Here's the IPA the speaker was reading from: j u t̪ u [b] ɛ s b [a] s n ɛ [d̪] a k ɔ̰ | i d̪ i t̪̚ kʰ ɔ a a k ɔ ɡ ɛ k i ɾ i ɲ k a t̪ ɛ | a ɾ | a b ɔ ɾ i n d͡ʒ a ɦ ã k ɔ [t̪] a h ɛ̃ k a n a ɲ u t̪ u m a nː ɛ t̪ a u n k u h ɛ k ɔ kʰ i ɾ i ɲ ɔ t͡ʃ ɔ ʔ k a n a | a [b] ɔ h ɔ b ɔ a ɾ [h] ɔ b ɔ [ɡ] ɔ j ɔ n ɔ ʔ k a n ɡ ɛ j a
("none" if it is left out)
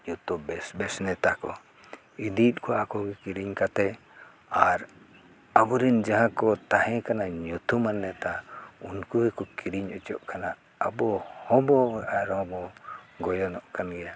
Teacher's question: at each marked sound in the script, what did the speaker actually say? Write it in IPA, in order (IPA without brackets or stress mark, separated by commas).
b, ɛ, t̪, t̪, b, h, ɡ